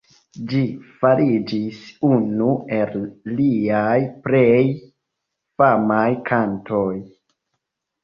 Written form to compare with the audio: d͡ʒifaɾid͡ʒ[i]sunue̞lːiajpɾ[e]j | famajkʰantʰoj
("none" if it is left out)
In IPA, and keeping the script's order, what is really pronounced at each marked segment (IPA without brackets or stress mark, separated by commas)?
i, e